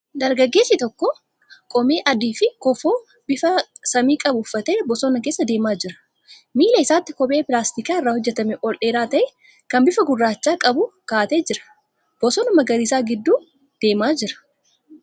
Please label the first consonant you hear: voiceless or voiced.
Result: voiced